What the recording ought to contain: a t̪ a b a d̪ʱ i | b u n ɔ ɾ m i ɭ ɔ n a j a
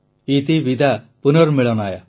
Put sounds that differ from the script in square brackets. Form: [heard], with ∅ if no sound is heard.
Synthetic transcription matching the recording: [i] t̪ [i] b [i] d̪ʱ [a] | [p] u n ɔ ɾ m i ɭ ɔ n a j a